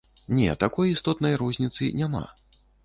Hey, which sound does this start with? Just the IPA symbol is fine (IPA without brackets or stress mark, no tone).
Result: nʲ